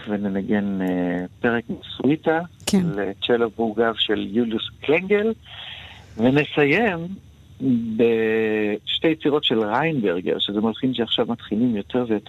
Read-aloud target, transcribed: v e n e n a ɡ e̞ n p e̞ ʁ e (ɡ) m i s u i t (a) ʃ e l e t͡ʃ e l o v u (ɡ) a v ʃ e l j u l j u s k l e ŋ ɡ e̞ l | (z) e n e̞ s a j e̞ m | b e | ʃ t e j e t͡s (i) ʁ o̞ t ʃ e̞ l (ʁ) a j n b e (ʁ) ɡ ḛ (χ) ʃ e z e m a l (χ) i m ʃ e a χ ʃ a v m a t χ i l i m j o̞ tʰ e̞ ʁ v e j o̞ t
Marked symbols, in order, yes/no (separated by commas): no, yes, yes, no, yes, yes, yes, no, yes